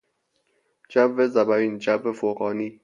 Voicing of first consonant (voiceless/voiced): voiced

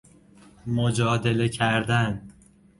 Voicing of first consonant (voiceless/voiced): voiced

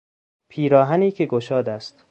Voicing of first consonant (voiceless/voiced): voiceless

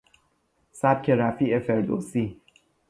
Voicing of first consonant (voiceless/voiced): voiceless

